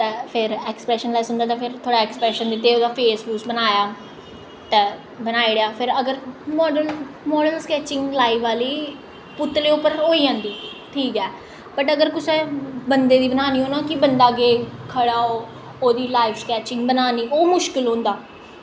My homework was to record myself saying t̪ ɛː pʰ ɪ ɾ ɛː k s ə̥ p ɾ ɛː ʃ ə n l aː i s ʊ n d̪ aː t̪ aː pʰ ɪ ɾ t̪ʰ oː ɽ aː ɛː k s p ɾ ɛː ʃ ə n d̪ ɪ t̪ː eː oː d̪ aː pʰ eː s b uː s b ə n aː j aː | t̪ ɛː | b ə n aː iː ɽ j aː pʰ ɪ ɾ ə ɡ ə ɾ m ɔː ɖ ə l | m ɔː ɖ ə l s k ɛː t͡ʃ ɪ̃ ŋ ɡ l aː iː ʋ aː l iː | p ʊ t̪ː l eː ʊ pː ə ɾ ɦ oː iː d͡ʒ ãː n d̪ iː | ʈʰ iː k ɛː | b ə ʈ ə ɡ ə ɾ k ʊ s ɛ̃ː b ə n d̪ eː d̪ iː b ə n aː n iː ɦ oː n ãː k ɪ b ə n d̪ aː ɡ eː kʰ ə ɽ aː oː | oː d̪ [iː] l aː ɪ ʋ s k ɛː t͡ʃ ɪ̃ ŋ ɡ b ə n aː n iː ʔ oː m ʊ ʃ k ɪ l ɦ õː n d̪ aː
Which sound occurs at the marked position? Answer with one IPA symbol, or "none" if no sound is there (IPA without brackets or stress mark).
iː